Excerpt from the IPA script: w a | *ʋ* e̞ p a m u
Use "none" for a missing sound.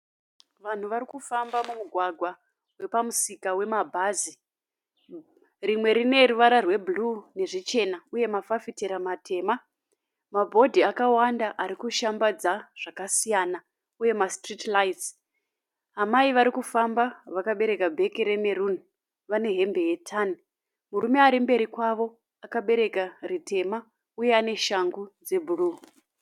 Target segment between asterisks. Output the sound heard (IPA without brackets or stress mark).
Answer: w